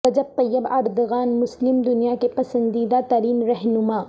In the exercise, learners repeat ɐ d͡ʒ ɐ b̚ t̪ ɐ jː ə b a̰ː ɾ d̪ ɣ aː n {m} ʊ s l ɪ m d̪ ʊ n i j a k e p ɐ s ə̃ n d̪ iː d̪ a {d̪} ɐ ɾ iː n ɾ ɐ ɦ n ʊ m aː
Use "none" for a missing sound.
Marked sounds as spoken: m, t̪

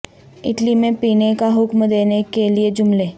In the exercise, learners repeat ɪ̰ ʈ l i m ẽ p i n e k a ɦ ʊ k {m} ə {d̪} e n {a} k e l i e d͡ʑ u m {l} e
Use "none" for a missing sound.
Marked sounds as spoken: m, d̪, e, l

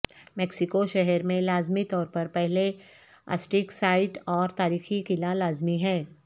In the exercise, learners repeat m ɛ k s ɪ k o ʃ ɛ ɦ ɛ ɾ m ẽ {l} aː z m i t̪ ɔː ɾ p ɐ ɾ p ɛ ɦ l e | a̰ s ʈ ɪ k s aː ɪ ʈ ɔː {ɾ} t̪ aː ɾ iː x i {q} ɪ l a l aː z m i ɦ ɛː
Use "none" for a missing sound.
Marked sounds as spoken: l, ɾ, k

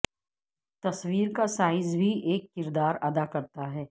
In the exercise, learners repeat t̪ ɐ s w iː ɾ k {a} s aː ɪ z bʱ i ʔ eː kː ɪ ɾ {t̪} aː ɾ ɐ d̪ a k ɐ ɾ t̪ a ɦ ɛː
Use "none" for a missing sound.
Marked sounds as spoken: a, d̪

